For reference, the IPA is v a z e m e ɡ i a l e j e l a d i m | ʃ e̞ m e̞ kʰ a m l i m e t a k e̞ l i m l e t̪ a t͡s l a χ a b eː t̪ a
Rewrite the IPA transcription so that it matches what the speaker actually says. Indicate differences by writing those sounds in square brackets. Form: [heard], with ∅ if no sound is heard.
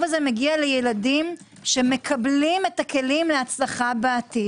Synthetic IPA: v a z e m e ɡ i a l e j e l a d i m | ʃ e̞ m e̞ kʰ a [b] l i m e t a k e̞ l i m l e [∅] a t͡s l a χ a b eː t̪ [i]